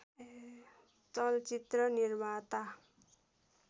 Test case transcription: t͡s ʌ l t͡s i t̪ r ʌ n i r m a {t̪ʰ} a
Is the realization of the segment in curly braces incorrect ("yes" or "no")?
yes